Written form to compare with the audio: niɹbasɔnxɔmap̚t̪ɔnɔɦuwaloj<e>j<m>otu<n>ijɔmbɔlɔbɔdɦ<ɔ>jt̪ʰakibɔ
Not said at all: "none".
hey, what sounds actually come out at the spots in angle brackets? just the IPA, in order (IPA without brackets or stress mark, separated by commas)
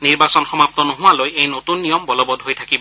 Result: e, n, nː, o